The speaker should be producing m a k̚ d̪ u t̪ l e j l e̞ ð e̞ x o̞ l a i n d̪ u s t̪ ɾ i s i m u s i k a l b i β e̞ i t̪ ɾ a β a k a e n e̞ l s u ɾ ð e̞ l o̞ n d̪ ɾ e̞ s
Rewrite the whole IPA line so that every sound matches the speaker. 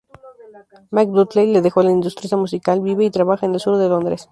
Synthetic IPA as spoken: m a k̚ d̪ u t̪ l e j l e̞ ð e̞ x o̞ l a i n d̪ u s t̪ ɾ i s a m u s i k a l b i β e̞ i t̪ ɾ a β a x a e n e̞ l s u ɾ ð e̞ l o̞ n d̪ ɾ e̞ s